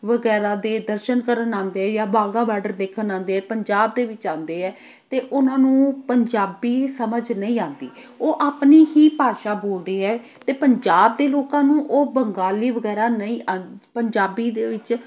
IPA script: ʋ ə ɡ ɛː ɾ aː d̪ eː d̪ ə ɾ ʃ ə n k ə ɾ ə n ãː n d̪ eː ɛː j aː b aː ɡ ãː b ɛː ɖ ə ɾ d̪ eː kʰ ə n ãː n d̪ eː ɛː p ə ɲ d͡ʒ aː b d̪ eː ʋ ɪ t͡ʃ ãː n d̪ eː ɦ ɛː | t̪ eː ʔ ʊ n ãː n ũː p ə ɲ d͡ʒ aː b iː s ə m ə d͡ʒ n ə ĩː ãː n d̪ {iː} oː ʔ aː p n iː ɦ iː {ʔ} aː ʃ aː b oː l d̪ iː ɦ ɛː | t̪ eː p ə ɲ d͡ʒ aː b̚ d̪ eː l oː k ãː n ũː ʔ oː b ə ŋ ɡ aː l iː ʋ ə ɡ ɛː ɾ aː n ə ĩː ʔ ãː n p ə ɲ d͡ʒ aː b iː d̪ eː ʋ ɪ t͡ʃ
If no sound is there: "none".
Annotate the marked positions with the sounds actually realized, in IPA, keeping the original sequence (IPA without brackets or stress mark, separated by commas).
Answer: iː, p